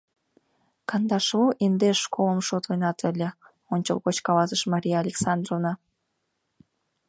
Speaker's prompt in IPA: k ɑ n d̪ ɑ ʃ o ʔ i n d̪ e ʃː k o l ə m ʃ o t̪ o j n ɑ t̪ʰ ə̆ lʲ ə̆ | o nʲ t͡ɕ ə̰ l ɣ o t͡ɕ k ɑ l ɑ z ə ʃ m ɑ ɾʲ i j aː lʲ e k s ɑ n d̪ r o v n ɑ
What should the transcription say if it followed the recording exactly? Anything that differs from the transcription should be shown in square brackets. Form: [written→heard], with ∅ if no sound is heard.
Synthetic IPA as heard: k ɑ n d̪ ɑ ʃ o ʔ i n d̪ e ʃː k o l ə m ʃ o t̪ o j n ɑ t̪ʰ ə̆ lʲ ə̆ | o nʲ t͡ɕ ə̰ l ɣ o t͡ɕ k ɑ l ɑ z ə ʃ m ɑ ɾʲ i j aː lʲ e k s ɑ n d̪ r o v n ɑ

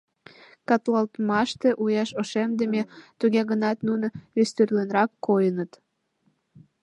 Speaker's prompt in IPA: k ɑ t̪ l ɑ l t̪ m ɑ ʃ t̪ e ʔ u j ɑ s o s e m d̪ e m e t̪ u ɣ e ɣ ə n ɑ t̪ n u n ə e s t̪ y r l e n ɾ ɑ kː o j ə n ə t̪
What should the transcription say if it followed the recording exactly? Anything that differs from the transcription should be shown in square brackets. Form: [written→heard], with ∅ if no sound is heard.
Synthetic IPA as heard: k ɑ t̪ l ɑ l t̪ m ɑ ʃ t̪ e ʔ u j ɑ [s→ʃ] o [s→ʃ] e m d̪ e m e t̪ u ɣ e ɣ ə n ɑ t̪ n u n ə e s t̪ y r l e n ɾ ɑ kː o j ə n ə t̪

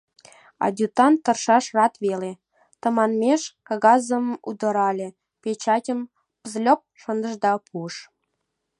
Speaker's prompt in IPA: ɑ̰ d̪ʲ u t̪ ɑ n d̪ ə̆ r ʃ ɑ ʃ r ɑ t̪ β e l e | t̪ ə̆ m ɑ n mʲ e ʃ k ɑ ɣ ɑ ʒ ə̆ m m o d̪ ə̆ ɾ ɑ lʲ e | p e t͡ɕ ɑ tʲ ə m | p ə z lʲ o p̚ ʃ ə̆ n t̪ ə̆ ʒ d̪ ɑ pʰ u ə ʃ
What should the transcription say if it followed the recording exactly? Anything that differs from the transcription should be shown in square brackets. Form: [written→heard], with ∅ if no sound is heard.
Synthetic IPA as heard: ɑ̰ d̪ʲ u t̪ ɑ n [d̪→t̪] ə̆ r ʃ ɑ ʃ r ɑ t̪ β e l e | t̪ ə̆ m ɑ n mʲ e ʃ k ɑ ɣ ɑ [ʒ→z] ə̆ m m [o→u] d̪ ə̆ ɾ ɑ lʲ e | p e t͡ɕ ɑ tʲ ə m | p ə z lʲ o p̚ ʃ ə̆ n [t̪→d̪] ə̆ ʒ d̪ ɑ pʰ u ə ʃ

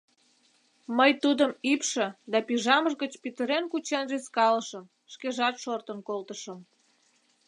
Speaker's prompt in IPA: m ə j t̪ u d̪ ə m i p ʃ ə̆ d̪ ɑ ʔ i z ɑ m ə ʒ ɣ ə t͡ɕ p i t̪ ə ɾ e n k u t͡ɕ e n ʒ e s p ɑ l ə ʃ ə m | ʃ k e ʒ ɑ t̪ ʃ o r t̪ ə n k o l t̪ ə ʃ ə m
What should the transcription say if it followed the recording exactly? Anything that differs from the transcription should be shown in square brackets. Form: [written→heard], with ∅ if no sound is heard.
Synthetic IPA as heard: m ə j t̪ u d̪ ə m i p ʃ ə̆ d̪ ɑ [ʔ→p] i [z→ʒ] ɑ m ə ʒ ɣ ə t͡ɕ p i t̪ ə ɾ e n k u t͡ɕ e n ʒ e s [p→k] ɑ l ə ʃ ə m | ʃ k e ʒ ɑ t̪ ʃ o r t̪ ə n k o l t̪ ə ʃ ə m

